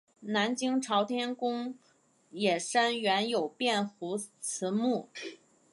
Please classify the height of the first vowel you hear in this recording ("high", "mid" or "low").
low